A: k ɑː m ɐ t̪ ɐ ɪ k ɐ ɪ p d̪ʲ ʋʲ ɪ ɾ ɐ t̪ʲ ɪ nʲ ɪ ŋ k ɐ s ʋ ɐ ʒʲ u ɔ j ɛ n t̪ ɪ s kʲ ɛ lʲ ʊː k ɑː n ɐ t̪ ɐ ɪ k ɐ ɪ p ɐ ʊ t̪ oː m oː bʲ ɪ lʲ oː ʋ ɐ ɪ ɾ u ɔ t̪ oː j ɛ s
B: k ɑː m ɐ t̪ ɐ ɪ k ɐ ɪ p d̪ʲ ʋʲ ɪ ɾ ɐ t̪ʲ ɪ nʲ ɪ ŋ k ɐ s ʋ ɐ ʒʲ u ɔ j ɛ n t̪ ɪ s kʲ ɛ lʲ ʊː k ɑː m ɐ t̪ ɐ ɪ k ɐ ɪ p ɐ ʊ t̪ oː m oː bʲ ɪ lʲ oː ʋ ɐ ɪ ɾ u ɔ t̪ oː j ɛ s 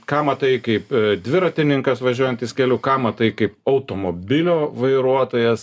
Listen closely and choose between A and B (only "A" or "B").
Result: B